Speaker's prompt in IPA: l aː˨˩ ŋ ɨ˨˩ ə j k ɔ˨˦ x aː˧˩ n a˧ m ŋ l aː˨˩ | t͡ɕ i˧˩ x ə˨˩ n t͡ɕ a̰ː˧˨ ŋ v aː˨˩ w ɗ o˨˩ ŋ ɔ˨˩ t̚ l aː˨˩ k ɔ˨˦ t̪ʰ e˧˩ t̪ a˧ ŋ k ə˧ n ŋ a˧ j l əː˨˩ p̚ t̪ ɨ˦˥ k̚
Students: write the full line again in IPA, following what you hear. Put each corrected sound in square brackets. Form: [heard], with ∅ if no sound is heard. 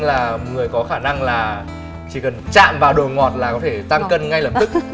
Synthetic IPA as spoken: l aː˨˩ ŋ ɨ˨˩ ə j k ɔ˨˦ x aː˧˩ n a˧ [∅] ŋ l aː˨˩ | t͡ɕ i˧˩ [k] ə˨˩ n t͡ɕ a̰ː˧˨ [m] v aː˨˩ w ɗ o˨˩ ŋ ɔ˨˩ t̚ l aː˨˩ k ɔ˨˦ t̪ʰ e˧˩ t̪ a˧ ŋ k ə˧ n ŋ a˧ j l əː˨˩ p̚ t̪ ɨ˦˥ k̚